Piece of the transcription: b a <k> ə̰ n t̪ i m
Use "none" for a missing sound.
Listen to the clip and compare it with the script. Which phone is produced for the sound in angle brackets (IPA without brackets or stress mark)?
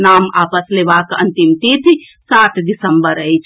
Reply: k